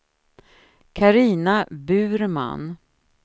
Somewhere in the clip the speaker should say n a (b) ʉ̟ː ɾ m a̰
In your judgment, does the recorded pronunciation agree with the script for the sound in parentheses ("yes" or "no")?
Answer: yes